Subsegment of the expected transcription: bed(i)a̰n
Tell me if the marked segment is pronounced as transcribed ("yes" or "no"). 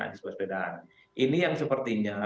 no